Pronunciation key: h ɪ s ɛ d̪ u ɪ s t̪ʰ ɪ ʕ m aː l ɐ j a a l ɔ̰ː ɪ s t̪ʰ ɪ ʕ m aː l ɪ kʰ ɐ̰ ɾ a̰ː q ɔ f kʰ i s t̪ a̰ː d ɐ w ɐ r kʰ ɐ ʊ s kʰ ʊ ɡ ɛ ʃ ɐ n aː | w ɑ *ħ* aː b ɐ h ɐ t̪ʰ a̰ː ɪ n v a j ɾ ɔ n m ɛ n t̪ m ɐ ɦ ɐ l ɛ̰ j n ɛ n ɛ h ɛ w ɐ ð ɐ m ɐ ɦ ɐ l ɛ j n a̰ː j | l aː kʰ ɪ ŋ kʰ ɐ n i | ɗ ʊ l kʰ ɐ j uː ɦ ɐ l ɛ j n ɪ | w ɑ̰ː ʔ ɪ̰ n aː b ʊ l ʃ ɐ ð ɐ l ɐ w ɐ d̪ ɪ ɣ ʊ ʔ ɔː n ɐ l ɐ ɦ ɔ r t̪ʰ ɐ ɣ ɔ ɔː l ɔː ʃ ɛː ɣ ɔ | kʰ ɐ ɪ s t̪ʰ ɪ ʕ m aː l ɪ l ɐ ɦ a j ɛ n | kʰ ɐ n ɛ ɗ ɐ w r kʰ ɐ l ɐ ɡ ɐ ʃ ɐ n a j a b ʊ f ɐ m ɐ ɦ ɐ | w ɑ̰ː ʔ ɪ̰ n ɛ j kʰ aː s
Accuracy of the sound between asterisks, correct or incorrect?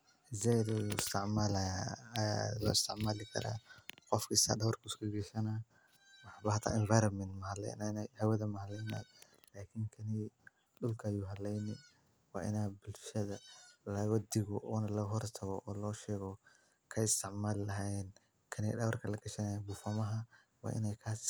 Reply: correct